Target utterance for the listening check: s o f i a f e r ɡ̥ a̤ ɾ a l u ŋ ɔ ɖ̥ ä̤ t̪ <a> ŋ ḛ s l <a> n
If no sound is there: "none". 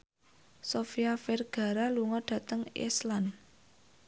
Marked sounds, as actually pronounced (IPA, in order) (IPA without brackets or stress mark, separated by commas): ə, a